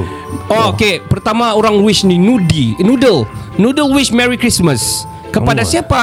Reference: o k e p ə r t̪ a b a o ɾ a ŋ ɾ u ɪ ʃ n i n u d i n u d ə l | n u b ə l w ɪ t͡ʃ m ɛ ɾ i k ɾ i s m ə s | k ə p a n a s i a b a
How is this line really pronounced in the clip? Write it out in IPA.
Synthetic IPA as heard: o k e p ə r t̪ a m a o ɾ a ŋ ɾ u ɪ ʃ n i n u d i n u d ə l | n u d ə l w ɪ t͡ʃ m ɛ ɾ i k ɾ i s m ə s | k ə p a d a s i a p a